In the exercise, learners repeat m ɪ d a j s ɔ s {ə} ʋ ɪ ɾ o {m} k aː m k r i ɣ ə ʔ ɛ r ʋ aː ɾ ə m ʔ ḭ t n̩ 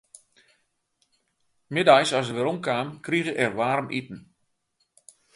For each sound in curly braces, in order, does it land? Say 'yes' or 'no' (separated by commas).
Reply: yes, yes